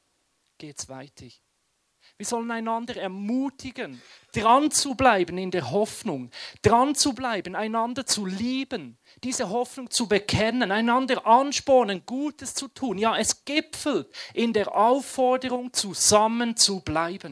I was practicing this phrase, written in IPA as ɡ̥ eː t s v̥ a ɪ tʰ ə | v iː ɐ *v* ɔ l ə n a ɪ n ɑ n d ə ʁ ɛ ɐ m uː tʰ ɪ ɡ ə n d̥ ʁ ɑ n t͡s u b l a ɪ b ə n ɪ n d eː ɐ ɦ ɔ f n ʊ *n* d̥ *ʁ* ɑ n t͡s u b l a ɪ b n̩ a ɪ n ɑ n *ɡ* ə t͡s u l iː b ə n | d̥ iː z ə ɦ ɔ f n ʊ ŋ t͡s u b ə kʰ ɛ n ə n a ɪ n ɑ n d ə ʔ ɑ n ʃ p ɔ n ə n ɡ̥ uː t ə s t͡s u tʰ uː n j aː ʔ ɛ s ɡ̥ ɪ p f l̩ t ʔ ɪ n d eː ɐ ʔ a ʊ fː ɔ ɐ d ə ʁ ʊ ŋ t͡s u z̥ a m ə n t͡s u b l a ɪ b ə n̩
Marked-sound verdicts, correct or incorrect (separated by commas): incorrect, incorrect, correct, incorrect